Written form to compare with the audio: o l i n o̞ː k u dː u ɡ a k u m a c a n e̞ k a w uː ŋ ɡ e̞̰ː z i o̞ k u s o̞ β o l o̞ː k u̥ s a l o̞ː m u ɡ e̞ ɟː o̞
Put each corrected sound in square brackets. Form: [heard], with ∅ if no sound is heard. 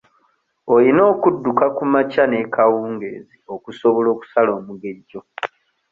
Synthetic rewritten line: o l i n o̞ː k u dː u [k] a k u m a c a n e̞ k a w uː ŋ ɡ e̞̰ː z i o̞ k u s o̞ β o l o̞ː k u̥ s a l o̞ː m u ɡ e̞ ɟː o̞